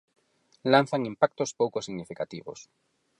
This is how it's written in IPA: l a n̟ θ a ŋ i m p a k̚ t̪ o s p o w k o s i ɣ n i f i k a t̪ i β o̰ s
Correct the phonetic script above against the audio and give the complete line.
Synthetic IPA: l a n̟ θ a ŋ i m p a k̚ t̪ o s p o w k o s i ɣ n i f i k a t̪ i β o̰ s